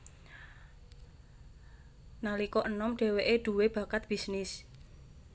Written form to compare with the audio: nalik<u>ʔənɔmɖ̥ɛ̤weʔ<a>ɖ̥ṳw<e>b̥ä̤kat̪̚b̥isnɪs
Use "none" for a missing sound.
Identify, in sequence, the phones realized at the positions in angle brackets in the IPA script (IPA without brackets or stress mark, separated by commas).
ɔ, e, e